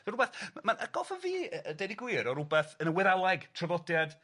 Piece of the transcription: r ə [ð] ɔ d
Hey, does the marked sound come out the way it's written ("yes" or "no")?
no